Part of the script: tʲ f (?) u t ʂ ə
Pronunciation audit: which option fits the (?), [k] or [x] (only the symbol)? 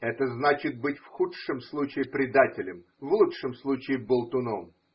x